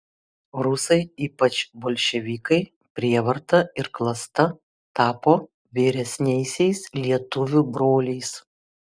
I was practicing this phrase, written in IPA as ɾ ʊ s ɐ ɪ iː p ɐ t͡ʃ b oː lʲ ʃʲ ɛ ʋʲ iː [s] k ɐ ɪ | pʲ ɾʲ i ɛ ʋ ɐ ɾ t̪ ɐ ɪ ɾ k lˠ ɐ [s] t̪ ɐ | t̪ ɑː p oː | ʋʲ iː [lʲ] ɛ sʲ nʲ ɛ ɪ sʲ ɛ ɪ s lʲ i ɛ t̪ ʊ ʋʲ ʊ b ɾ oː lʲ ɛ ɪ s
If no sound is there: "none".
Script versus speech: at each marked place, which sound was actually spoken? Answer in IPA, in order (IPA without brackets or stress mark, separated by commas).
none, s, ɾʲ